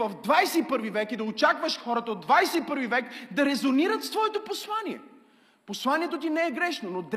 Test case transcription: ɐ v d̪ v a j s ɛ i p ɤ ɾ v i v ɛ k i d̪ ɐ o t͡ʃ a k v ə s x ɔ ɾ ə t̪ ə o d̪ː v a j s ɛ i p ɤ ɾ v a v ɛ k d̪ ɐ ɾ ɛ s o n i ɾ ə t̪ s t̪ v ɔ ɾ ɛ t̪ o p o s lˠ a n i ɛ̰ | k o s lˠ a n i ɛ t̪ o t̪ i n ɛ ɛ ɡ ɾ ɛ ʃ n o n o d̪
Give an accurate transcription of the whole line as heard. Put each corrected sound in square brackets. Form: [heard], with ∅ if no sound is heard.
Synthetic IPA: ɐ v d̪ v a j s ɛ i p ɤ ɾ v i v ɛ k i d̪ ɐ o t͡ʃ a k v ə [ʃ] x ɔ ɾ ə t̪ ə o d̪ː v a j s ɛ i p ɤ ɾ v [i] v ɛ k d̪ ɐ ɾ ɛ [z] o n i ɾ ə t̪ s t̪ v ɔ [∅] ɛ t̪ o p o s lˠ a n i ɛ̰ | [p] o s lˠ a n i ɛ t̪ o t̪ i n ɛ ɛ ɡ ɾ ɛ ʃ n o n o d̪